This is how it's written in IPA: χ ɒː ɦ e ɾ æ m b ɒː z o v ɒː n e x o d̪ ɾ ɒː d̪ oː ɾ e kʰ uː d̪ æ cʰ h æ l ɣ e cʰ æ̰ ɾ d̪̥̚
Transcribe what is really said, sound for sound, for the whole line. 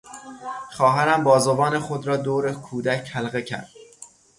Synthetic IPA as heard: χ ɒː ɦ æ ɾ æ m b ɒː z o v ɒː n e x o d̪ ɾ ɒː d̪ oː ɾ e kʰ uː d̪ æ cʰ h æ l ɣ e cʰ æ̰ ɾ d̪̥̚